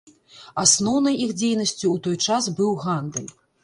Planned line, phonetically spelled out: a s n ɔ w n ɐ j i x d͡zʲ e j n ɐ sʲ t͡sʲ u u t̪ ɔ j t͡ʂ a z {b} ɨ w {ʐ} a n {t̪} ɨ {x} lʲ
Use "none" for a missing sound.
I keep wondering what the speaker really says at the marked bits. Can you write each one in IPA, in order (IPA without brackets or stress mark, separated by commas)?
b, ɣ, d̪, none